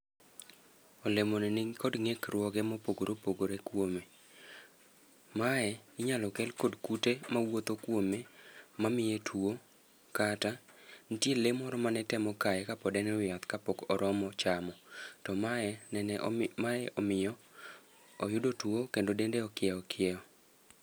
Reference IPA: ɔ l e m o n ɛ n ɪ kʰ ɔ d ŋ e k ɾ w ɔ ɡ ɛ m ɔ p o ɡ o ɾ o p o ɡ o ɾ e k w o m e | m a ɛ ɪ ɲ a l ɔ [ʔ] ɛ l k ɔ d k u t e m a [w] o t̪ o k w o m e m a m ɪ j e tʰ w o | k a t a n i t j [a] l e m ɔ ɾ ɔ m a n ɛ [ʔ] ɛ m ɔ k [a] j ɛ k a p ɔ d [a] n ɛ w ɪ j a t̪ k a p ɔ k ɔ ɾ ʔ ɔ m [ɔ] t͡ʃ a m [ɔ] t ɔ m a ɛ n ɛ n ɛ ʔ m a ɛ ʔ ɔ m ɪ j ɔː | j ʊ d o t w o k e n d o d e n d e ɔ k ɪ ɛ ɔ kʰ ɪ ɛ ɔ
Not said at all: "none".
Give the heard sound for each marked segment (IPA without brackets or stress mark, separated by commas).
k, w, e, t, a, ɛ, ɔ, ɔ